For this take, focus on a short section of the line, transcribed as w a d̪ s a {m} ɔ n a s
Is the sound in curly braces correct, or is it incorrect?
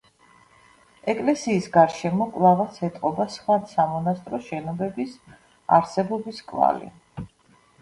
correct